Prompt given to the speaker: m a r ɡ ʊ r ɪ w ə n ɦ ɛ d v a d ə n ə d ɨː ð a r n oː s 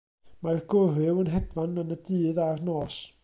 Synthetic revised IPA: m a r ɡ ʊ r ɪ w ə n ɦ ɛ d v a n ə n ə d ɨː ð a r n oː s